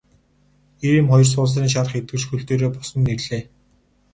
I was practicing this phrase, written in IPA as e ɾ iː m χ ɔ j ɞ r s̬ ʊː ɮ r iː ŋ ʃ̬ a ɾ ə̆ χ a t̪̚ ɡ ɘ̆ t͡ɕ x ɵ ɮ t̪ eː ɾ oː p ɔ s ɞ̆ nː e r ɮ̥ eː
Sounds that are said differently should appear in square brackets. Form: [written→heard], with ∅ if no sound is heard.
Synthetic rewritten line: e ɾ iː m χ ɔ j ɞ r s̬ ʊː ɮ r iː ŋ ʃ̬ a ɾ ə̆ χ [a→e] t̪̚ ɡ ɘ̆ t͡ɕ x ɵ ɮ t̪ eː ɾ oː p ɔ s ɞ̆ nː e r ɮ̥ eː